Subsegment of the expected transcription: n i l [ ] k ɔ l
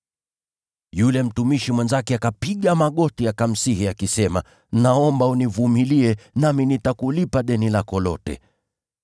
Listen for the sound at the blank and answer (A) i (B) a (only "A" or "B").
B